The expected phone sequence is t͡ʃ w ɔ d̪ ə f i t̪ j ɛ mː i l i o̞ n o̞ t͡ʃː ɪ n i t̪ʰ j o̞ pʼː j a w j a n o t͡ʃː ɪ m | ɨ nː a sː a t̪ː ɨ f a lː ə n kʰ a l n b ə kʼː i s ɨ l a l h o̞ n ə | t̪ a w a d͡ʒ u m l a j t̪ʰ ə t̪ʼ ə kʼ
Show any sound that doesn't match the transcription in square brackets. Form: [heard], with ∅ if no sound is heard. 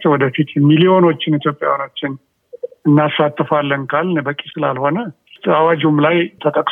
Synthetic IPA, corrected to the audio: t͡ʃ w ɔ d̪ ə f i t̪ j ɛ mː i l i o̞ n o̞ t͡ʃː ɪ n i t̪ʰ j o̞ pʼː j a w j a n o t͡ʃː ɪ [n] | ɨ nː a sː a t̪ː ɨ f a lː ə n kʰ a l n b ə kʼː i s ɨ l a l h o̞ n ə | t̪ a w a d͡ʒ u m l a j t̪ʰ ə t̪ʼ ə kʼ